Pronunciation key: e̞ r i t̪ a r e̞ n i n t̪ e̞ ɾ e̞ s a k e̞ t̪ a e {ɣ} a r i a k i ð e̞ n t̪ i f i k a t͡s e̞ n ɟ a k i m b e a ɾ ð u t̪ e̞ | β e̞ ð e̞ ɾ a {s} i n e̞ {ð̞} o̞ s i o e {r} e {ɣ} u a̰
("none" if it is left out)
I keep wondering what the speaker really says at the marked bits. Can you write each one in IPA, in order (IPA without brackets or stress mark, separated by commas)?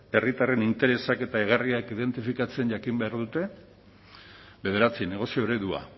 ɣ, t͡s, ɣ̞, ɾ, ð